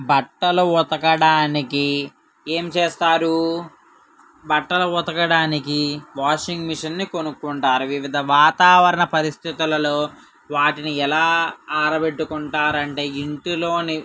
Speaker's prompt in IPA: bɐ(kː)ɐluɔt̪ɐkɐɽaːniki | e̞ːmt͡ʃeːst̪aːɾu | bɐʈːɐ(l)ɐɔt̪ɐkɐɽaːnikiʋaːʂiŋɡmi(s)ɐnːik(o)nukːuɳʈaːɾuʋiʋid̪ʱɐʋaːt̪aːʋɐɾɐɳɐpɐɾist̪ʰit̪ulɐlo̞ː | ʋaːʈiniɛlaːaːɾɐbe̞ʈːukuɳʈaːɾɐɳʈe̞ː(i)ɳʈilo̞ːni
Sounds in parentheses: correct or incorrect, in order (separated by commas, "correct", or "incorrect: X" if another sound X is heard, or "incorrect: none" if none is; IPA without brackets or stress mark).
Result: incorrect: ʈː, correct, incorrect: ʂ, correct, correct